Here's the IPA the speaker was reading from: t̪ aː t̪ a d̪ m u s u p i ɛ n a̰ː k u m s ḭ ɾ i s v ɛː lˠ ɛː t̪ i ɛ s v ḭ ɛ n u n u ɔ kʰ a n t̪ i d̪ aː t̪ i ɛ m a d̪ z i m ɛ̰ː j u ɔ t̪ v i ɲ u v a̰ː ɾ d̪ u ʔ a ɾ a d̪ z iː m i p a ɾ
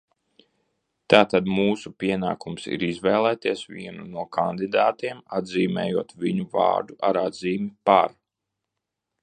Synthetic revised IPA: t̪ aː t̪ a d̪ m uː s u p i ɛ n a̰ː k u m s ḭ ɾ i z v ɛː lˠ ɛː t̪ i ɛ s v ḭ ɛ n u n u ɔ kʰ a n d̪ i d̪ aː t̪ i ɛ m a d̪ z iː m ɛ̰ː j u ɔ t̪ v i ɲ u v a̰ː ɾ d̪ u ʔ a ɾ a d̪ z iː m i p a ɾ

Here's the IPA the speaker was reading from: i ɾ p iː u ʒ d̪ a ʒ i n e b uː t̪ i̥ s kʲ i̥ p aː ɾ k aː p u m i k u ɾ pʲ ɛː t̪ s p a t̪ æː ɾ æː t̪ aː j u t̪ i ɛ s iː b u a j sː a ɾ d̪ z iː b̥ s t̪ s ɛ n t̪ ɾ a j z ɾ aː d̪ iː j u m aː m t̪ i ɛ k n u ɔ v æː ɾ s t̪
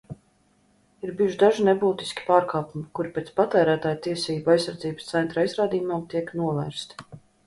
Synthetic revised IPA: i ɾ b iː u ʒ d̪ a ʒ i n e b uː t̪ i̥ s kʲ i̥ p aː ɾ k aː p u m i k u ɾ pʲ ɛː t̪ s p a t̪ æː ɾ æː t̪ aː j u t̪ i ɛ s iː b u a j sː a ɾ d̪ z iː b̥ s t̪ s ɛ n t̪ ɾ a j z ɾ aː d̪ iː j u m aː m t̪ i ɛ k n u ɔ v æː ɾ s t̪

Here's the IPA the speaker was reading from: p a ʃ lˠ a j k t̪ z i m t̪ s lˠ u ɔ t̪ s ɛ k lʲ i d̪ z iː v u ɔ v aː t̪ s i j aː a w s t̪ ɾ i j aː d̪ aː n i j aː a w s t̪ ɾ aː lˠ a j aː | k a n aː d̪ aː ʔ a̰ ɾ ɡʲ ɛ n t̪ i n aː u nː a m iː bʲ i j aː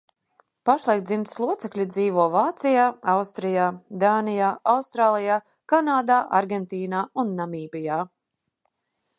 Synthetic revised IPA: p a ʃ lˠ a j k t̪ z i m t̪ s lˠ u ɔ t̪ s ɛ k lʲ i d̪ z iː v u ɔ v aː t̪ s i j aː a w s t̪ ɾ i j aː d̪ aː n i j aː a w s t̪ ɾ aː lˠ i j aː | k a n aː d̪ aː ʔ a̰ ɾ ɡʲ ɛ n t̪ iː n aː u nː a m iː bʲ i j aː

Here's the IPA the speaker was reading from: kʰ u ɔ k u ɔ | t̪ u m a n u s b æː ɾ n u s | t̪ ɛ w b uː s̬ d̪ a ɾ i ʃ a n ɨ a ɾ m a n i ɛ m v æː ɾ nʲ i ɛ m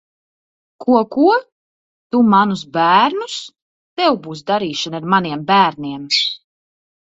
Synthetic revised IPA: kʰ u ɔ k u ɔ | t̪ u m a n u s b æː ɾ n u s | t̪ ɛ w b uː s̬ d̪ a ɾ iː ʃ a n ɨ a ɾ m a n i ɛ m b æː ɾ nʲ i ɛ m

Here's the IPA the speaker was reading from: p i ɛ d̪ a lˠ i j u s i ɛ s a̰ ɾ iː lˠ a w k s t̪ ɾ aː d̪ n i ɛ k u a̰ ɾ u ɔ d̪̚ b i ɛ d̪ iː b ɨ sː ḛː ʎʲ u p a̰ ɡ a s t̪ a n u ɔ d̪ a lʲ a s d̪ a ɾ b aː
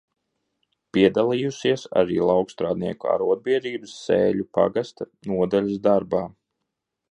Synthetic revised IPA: p i ɛ d̪ a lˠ i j u s i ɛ s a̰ ɾ iː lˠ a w k s t̪ ɾ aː d̪ n i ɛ k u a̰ ɾ u ɔ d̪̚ b i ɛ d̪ iː b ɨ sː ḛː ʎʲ u p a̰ ɡ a s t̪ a n u ɔ d̪ a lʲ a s d̪ a ɾ b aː

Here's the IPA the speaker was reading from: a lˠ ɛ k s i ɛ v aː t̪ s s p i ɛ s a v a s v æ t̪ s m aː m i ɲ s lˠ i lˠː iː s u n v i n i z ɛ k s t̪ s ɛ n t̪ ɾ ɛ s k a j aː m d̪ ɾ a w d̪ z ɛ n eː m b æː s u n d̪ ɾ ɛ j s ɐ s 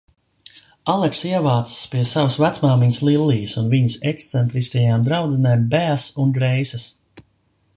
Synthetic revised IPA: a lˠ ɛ k s i ɛ v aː t̪ s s p i ɛ s a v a s v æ t̪ s m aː m i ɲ s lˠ i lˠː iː s u n v i ɲ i s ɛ k s t̪ s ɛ n t̪ ɾ i s k a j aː m d̪ ɾ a w d̪ z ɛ n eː m b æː s u n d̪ ɾ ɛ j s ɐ s

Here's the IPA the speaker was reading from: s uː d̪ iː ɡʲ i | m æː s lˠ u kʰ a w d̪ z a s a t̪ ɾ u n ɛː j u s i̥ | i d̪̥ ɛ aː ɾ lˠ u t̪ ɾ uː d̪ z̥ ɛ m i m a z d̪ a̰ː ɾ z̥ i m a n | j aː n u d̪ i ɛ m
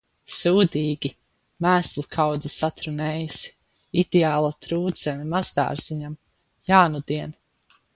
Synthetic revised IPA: s uː d̪ iː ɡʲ i | m æː s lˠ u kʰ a w d̪ z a s a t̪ ɾ u n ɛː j u s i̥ | i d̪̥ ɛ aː lˠ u t̪ ɾ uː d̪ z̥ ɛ m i m a z d̪ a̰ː ɾ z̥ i ɲ a m | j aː n u d̪ i ɛ n

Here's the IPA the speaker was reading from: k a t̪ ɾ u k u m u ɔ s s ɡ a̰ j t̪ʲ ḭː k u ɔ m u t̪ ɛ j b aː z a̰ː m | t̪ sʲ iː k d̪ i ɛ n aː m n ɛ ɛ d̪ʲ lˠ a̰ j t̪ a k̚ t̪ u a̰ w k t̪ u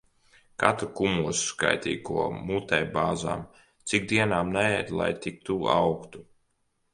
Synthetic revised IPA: k a t̪ ɾ u k u m u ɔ s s k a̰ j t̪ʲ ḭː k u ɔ m u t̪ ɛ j b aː z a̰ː m | t̪ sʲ i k d̪ i ɛ n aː m n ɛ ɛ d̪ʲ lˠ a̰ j t̪ i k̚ t̪ u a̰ w k t̪ u

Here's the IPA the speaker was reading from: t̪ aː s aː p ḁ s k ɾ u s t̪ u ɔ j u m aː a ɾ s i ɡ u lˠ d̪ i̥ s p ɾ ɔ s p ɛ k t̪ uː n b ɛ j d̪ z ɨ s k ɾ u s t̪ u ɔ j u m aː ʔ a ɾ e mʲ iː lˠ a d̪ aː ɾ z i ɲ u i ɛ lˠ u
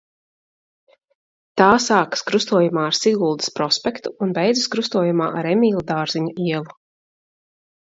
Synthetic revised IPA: t̪ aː s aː k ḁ s k ɾ u s t̪ u ɔ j u m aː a ɾ s i ɡ u lˠ d̪ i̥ s p ɾ ɔ s p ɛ k t̪ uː n b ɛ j d̪ z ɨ s k ɾ u s t̪ u ɔ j u m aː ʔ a ɾ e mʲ iː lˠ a d̪ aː ɾ z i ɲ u i ɛ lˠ u

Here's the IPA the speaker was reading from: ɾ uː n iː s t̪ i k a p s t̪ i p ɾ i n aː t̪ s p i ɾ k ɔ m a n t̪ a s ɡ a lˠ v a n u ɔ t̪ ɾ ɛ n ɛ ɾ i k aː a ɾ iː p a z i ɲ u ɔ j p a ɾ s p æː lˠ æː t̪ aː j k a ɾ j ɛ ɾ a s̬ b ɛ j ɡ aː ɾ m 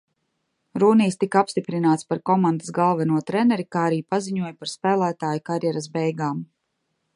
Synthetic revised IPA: ɾ uː n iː s t̪ i k a p s t̪ i p ɾ i n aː t̪ s p a ɾ k ɔ m a n d̪ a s ɡ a lˠ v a n u ɔ t̪ ɾ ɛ n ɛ ɾ i k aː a ɾ iː p a z i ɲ u ɔ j p a ɾ s p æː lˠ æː t̪ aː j k a ɾ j ɛ ɾ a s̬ b ɛ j ɡ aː m

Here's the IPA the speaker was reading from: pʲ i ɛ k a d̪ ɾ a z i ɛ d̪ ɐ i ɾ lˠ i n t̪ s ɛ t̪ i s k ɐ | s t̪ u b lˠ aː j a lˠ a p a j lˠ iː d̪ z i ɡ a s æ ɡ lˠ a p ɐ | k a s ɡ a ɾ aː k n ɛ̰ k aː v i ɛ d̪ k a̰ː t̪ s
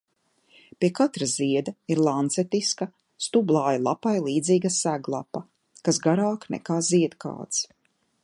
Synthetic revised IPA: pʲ i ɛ k a t̪ ɾ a z i ɛ d̪ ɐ i ɾ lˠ a n t̪ s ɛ t̪ i s k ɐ | s t̪ u b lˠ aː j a lˠ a p a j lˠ iː d̪ z iː ɡ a s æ ɡ lˠ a p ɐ | k a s ɡ a ɾ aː k n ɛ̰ k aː z i ɛ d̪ k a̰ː t̪ s

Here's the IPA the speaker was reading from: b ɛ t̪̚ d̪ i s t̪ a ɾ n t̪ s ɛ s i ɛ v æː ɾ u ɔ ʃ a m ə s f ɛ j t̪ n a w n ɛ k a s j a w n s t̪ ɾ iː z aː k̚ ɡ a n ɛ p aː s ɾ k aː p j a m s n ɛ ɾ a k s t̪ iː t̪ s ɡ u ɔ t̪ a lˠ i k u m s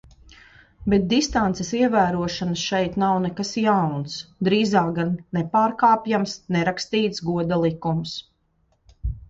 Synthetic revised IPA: b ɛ t̪̚ d̪ i s t̪ a n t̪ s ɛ s i ɛ v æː ɾ u ɔ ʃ a n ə s ʃ ɛ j t̪ n a w n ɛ k a s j a w n s d̪ ɾ iː z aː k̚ ɡ a nː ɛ p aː ɾ k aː p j a m s n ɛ ɾ a k s t̪ iː t̪ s ɡ u ɔ d̪ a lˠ i k u m s

